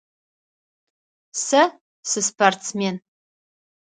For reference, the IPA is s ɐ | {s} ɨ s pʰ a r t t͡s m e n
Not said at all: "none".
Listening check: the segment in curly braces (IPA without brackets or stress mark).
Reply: s